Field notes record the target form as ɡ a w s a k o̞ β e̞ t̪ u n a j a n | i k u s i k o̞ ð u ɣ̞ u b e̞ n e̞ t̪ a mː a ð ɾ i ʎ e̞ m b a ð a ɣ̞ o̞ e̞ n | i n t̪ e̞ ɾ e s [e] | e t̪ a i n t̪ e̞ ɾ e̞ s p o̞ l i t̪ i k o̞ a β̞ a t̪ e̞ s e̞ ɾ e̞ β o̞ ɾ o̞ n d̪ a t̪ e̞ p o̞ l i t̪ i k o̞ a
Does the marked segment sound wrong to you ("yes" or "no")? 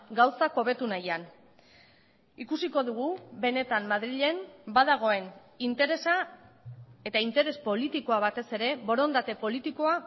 yes